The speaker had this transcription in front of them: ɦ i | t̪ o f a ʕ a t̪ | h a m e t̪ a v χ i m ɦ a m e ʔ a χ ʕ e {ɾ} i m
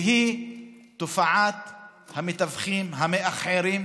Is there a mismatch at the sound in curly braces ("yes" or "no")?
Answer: no